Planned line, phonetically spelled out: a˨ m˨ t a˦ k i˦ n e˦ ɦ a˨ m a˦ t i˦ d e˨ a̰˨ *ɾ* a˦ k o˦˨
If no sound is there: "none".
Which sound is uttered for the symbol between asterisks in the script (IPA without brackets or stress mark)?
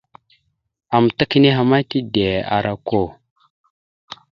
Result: ɾ